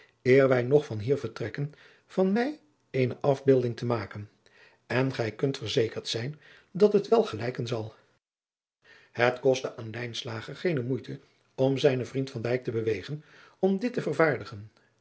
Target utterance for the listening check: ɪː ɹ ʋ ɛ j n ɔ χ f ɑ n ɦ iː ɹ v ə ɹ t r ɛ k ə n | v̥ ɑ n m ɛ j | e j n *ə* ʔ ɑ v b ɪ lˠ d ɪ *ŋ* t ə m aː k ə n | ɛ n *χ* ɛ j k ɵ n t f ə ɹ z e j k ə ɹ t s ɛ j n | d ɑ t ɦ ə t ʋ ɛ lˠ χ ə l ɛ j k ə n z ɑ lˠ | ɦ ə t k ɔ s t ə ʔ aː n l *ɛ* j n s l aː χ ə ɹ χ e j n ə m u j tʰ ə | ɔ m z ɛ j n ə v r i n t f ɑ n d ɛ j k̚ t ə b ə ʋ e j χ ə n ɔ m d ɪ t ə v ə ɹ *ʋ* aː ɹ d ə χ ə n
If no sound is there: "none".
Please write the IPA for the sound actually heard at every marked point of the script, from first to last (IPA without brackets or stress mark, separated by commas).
ə, ŋ, χ, ɛ, v